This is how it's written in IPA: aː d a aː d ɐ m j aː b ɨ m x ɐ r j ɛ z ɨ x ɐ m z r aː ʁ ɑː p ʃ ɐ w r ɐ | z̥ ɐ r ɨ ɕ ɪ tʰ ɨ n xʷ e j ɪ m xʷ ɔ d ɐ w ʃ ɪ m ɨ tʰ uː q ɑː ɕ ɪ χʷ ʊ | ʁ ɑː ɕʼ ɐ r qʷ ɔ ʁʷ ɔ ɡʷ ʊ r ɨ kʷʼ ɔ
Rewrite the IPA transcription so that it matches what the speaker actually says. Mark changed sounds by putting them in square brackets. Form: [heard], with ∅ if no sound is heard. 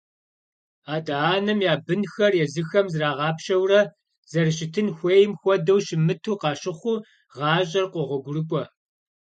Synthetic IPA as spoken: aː d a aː [n] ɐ m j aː b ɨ [n] x ɐ r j ɛ z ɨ x ɐ m z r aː ʁ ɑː p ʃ ɐ w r ɐ | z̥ ɐ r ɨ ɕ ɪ tʰ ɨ n xʷ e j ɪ m xʷ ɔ d ɐ w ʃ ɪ m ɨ tʰ uː q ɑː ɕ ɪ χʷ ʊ | ʁ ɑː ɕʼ ɐ r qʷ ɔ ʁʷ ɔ ɡʷ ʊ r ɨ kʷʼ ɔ